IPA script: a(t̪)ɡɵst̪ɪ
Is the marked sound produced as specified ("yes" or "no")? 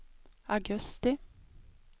no